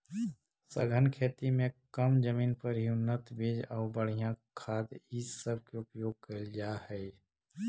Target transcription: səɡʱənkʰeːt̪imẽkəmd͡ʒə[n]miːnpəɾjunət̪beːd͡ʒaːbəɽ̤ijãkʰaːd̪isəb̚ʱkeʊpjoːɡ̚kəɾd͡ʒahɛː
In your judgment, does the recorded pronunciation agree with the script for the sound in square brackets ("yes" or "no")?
no